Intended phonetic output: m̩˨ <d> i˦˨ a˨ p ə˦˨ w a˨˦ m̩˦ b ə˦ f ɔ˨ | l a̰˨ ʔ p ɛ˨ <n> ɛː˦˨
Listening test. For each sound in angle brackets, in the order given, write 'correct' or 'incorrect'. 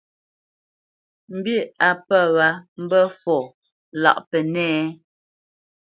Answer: incorrect: b, correct

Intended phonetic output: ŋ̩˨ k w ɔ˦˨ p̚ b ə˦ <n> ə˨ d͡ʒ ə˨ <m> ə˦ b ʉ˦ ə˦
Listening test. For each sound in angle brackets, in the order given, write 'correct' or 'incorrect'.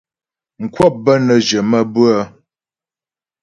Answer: correct, correct

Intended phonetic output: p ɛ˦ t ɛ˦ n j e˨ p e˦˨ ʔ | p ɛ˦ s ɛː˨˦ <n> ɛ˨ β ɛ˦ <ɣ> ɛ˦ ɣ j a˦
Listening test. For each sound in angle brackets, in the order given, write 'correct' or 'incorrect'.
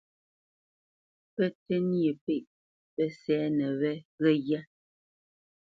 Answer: correct, correct

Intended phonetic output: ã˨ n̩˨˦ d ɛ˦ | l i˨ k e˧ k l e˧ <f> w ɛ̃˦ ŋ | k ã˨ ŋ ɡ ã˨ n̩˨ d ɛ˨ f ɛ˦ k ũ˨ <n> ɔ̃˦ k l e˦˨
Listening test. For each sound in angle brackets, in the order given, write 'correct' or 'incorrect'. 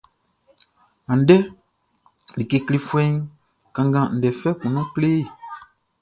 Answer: correct, correct

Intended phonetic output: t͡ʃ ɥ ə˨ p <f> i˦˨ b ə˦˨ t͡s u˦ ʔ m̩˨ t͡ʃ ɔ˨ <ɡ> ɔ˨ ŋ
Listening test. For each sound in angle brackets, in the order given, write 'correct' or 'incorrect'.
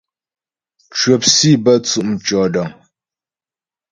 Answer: incorrect: s, incorrect: d

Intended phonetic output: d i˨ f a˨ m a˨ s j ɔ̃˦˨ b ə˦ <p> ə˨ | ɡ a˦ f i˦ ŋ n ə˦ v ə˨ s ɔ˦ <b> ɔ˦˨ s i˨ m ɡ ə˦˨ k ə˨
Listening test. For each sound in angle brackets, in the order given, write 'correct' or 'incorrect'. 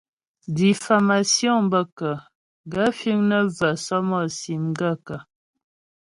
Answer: incorrect: k, incorrect: m

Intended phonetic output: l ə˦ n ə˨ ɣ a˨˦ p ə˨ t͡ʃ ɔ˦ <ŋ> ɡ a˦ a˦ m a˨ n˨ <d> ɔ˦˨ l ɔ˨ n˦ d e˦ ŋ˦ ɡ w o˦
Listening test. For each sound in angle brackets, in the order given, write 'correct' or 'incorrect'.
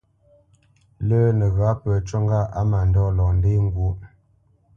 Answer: correct, correct

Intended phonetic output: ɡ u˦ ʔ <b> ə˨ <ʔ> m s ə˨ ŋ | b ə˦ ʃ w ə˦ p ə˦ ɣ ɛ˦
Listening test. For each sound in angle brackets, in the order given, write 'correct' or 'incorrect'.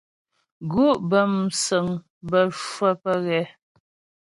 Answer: correct, incorrect: none

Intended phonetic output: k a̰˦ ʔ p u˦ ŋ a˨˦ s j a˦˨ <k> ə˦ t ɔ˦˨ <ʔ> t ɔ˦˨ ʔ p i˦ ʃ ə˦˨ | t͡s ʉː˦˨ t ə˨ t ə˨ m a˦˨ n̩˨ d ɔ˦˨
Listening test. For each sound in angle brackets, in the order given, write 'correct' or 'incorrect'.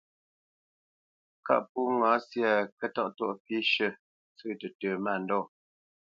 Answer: correct, correct

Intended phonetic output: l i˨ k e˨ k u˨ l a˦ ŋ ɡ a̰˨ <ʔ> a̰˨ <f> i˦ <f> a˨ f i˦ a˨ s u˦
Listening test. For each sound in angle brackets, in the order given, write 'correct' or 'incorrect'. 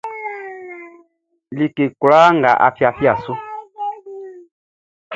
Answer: correct, correct, incorrect: none

